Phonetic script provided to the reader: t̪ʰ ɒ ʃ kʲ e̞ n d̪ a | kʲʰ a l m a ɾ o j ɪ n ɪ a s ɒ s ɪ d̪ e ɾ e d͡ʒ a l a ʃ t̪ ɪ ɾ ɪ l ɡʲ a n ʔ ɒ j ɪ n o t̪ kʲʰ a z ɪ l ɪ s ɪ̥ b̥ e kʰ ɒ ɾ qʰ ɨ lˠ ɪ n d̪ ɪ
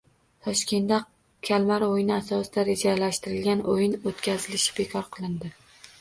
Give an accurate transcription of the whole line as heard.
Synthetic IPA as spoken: t̪ʰ ɒ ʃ kʲ e̞ n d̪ a | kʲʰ a l m a ɾ o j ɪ n ɪ a s ɒ s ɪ d̪ a ɾ e d͡ʒ a l a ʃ t̪ ɪ ɾ ɪ l ɡʲ a n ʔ o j ɪ n o t̪ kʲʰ a z ɪ l ɪ ʃ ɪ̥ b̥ e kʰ ɒ ɾ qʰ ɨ lˠ ɪ n d̪ ɪ